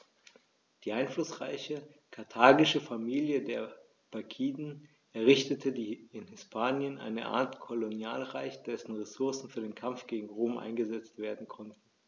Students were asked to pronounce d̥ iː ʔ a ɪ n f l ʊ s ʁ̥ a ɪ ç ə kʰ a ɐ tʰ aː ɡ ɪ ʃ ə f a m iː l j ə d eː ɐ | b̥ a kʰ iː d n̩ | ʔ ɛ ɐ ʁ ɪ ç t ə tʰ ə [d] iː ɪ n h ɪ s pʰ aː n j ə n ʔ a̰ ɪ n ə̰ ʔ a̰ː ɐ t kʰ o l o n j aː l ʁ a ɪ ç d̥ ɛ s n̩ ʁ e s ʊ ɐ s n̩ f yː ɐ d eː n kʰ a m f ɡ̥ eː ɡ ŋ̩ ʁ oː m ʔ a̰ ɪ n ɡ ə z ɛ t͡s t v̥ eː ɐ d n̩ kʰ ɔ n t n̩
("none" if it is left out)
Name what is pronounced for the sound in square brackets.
d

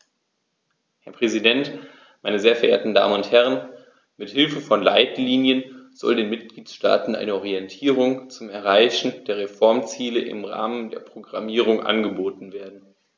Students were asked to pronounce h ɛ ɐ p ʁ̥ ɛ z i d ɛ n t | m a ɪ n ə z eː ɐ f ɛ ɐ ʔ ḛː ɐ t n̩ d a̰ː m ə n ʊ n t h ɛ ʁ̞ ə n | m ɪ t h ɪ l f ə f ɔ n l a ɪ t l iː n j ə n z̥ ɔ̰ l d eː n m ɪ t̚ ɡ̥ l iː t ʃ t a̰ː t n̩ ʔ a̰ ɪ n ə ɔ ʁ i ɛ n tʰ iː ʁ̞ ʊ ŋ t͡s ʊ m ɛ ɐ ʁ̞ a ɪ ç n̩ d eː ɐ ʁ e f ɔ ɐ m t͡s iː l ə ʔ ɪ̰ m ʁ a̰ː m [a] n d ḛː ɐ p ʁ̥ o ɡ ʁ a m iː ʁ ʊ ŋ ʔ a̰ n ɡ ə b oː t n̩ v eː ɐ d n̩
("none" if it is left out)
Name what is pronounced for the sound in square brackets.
ə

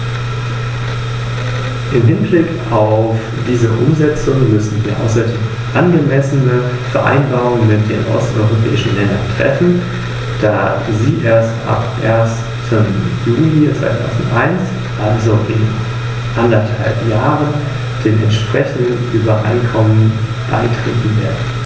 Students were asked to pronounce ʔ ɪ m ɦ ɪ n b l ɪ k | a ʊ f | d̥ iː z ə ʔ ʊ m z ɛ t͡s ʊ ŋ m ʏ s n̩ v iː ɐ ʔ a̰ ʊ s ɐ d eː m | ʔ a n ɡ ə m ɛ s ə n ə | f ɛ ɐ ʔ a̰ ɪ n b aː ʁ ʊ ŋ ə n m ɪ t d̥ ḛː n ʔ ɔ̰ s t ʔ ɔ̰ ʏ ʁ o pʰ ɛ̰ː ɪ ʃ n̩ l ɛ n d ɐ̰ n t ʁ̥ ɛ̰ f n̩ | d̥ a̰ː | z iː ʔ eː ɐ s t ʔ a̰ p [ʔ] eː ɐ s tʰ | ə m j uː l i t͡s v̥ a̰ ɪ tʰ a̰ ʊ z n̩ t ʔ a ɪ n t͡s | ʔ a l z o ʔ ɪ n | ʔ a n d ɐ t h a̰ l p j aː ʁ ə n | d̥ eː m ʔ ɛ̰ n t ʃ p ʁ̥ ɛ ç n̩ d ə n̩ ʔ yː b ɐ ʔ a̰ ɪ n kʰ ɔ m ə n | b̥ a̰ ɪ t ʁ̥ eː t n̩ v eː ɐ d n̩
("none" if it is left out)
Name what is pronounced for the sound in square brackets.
ʔ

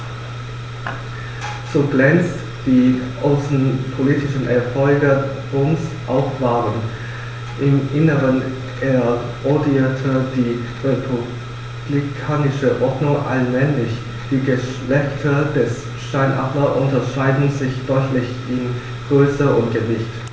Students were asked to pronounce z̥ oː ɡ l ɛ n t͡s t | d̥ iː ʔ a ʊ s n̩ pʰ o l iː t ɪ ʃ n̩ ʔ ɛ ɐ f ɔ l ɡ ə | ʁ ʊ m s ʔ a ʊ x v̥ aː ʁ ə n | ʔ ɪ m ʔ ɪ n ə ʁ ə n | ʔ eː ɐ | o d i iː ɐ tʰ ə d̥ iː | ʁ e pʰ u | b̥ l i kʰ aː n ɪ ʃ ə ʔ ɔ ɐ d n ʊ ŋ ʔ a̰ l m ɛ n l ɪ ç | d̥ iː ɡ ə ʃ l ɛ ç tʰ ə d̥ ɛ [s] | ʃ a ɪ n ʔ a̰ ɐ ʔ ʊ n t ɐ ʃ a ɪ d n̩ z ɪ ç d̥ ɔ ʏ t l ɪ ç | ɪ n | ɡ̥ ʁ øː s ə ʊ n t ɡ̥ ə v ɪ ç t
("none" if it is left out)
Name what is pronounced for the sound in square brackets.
s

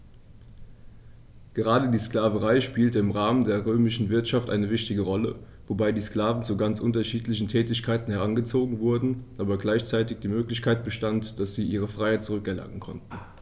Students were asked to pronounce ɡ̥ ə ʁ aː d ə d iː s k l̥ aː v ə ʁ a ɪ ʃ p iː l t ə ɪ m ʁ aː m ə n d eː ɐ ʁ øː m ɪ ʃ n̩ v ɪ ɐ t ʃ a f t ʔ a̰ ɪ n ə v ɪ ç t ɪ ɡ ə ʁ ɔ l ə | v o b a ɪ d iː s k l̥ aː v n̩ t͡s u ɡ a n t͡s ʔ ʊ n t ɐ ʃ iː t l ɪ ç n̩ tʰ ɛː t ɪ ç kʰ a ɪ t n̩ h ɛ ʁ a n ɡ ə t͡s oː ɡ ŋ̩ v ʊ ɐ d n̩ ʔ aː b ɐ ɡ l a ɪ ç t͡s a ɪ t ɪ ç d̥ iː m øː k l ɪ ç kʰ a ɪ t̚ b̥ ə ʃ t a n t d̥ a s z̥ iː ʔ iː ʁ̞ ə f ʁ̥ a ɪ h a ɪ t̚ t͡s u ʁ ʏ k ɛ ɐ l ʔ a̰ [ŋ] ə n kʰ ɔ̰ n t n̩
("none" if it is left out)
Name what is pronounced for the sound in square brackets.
ŋ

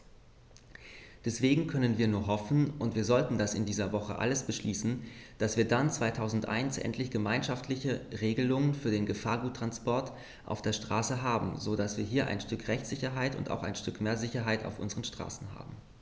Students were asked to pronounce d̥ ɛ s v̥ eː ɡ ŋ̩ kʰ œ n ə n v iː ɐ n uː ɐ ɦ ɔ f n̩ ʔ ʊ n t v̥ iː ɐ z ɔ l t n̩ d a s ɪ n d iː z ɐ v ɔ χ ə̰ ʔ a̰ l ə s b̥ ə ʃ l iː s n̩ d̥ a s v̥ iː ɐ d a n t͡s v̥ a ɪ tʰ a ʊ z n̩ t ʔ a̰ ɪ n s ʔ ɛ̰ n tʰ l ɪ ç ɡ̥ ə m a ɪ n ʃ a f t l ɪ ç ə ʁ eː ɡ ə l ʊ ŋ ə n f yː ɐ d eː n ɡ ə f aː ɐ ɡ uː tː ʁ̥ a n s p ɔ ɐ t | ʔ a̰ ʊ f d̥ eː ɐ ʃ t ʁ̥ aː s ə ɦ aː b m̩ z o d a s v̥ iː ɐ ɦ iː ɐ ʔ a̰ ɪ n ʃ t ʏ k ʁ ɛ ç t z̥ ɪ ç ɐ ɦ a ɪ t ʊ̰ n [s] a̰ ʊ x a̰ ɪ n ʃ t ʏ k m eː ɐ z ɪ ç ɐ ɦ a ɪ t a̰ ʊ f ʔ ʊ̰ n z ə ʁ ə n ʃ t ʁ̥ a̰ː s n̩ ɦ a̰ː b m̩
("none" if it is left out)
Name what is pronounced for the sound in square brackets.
t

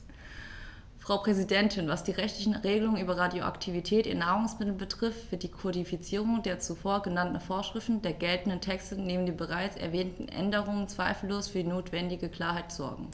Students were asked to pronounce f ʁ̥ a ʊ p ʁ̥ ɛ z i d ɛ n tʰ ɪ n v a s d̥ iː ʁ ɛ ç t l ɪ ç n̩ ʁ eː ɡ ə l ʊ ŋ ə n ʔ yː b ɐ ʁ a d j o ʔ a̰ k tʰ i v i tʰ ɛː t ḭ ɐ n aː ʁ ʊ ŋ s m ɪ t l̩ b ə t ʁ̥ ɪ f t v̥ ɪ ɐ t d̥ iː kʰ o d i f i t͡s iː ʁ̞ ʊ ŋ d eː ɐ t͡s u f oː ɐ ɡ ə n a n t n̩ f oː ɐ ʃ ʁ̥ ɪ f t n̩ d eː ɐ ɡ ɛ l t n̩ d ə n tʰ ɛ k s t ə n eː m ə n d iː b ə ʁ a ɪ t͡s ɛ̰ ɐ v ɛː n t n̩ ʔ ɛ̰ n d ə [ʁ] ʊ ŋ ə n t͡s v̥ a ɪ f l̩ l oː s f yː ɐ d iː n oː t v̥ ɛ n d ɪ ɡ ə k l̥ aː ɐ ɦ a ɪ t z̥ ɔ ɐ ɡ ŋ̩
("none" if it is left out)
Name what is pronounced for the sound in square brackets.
ʁ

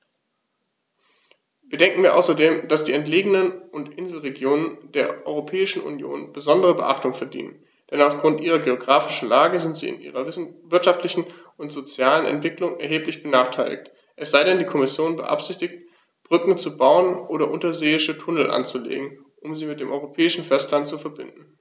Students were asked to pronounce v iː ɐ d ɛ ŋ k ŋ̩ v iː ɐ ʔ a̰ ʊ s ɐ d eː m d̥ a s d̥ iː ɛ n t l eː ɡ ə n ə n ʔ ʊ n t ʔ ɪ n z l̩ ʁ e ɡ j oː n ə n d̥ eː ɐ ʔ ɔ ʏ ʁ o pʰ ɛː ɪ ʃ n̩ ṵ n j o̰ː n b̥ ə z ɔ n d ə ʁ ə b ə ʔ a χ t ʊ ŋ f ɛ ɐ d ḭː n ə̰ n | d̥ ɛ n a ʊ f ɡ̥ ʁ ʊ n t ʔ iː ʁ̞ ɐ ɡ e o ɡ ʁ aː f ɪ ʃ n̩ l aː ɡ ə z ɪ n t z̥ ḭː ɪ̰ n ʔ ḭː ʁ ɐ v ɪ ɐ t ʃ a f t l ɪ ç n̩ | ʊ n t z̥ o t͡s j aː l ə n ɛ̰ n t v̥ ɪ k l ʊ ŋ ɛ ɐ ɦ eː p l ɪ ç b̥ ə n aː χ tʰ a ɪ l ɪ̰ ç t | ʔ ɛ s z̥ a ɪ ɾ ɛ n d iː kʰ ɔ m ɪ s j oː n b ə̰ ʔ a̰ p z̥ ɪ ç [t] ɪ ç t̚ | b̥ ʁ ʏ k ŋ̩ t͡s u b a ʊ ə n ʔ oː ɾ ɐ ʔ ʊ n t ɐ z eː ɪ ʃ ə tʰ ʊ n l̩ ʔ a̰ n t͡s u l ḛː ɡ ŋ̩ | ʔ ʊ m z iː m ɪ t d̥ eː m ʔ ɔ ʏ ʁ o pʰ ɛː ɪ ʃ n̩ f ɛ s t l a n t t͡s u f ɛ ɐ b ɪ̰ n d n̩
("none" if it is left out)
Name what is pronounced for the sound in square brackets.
t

